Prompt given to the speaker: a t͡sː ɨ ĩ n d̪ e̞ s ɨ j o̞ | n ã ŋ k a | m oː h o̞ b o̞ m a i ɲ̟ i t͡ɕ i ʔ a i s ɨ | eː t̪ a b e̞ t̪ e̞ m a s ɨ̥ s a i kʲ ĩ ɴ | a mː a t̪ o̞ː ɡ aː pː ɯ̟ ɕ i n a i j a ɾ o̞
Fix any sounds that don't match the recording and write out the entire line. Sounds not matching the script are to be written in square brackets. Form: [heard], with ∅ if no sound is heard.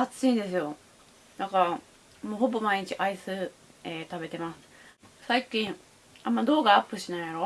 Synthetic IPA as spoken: a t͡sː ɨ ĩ n d̪ e̞ s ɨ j o̞ | n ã ŋ k a | m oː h o̞ b o̞ m a i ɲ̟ i t͡ɕ i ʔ a i s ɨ | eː t̪ a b e̞ t̪ e̞ m a s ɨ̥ s a i kʲ ĩ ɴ | a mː a [d̪] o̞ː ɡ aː pː ɯ̟ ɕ i n a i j a ɾ o̞

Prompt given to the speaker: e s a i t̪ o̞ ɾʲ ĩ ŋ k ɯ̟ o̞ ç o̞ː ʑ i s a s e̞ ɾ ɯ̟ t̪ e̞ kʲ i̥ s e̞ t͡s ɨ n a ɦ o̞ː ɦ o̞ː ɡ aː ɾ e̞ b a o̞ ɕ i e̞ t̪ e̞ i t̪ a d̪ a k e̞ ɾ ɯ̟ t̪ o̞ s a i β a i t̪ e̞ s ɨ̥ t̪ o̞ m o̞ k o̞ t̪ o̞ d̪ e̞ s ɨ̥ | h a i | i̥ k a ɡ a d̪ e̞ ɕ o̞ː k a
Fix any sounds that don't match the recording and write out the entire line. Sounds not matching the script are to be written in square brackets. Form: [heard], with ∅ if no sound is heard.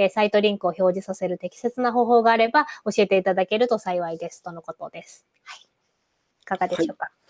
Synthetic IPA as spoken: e s a i t̪ o̞ ɾʲ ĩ ŋ k ɯ̟ o̞ ç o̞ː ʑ i s a s e̞ ɾ ɯ̟ t̪ e̞ kʲ i̥ s e̞ t͡s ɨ n a ɦ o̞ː ɦ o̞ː ɡ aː ɾ e̞ b a o̞ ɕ i e̞ t̪ e̞ i t̪ a d̪ a k e̞ ɾ ɯ̟ t̪ o̞ s a i β a i [d̪] e̞ s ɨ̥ t̪ o̞ [n] o̞ k o̞ t̪ o̞ d̪ e̞ s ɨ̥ | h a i | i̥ k a ɡ a d̪ e̞ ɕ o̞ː k a

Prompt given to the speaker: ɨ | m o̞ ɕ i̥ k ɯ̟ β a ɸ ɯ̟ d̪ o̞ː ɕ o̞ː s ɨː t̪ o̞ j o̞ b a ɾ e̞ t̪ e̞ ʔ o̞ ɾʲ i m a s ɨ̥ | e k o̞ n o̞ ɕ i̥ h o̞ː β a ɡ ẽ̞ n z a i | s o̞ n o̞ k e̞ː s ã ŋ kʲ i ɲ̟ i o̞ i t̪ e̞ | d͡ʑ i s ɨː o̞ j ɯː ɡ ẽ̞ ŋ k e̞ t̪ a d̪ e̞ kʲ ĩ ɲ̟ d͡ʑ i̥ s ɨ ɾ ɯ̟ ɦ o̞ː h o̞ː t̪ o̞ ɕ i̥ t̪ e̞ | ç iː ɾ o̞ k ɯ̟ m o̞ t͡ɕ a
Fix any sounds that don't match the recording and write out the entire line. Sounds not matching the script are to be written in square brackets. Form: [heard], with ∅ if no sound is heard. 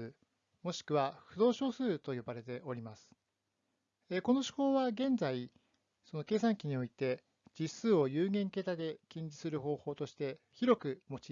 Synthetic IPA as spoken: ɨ | m o̞ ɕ i̥ k ɯ̟ β a ɸ ɯ̟ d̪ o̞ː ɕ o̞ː s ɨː t̪ o̞ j o̞ b a ɾ e̞ t̪ e̞ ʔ o̞ ɾʲ i m a s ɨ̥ | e k o̞ n o̞ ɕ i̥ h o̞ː β a ɡ ẽ̞ n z a i | s o̞ n o̞ k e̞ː s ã ŋ kʲ i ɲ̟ i o̞ i t̪ e̞ | d͡ʑ i s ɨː o̞ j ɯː ɡ ẽ̞ ŋ k e̞ t̪ a d̪ e̞ kʲ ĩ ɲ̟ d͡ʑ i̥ s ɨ ɾ ɯ̟ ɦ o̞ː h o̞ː t̪ o̞ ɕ i̥ t̪ e̞ | ç [i] ɾ o̞ k ɯ̟ m o̞ t͡ɕ [i]

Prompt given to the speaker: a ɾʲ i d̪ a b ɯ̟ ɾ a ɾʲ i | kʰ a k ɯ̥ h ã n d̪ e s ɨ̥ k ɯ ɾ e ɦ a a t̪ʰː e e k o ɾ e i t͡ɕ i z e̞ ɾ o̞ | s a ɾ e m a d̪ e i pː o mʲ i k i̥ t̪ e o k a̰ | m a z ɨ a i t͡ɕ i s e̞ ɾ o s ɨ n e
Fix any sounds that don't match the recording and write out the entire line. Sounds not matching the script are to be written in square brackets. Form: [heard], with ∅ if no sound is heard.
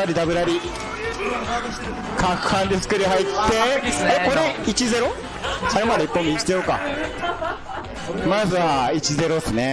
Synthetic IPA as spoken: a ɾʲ i d̪ a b ɯ̟ ɾ a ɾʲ i | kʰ a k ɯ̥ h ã n d̪ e s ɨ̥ k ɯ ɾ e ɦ a [i] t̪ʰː e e k o ɾ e i t͡ɕ i z e̞ ɾ o̞ | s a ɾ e m a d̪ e i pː o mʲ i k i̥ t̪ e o k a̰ | m a z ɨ a i t͡ɕ i [z] e̞ ɾ o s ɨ n e

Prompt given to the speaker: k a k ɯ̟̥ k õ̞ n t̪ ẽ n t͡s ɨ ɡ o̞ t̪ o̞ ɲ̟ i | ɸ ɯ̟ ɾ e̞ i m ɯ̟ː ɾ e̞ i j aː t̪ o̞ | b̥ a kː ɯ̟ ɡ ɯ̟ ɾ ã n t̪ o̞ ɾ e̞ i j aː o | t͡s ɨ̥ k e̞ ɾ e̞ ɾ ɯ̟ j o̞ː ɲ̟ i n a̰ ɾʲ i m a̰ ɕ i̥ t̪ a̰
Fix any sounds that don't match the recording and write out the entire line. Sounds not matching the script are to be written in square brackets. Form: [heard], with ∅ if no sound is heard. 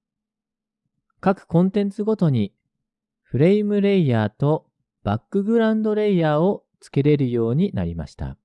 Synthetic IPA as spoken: k a k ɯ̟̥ k õ̞ n t̪ ẽ n t͡s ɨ ɡ o̞ t̪ o̞ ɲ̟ i | ɸ ɯ̟ ɾ e̞ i m [ɯ̟] ɾ e̞ i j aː t̪ o̞ | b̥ a kː ɯ̟ ɡ ɯ̟ ɾ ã n [d̪] o̞ ɾ e̞ i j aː o | t͡s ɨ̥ k e̞ ɾ e̞ ɾ ɯ̟ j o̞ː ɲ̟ i n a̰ ɾʲ i m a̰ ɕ i̥ t̪ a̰

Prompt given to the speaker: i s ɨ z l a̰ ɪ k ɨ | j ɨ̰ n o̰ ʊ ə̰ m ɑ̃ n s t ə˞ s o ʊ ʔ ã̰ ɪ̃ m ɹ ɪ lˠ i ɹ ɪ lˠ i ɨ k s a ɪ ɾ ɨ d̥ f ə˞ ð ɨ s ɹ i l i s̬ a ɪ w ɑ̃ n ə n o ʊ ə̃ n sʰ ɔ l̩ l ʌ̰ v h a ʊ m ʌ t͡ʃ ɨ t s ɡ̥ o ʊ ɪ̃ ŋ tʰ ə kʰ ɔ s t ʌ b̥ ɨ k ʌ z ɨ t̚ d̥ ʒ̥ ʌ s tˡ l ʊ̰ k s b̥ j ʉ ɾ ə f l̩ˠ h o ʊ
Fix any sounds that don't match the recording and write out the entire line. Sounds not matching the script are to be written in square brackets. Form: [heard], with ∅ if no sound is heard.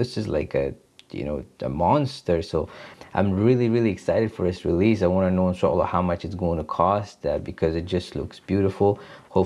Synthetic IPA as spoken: [ɪ] s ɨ z l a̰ ɪ k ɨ | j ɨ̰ n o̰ ʊ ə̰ m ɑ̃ n s t ə˞ s o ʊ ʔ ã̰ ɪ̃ m ɹ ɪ lˠ i ɹ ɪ lˠ i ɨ k s a ɪ ɾ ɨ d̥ f ə˞ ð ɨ s ɹ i l i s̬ a ɪ w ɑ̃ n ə n o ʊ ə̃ n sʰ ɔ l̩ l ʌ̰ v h a ʊ m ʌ t͡ʃ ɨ t s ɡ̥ o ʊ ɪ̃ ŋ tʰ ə kʰ ɔ s t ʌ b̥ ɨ [kʰ] ʌ z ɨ t̚ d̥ ʒ̥ ʌ s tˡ l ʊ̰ k s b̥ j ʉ ɾ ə f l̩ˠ h o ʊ

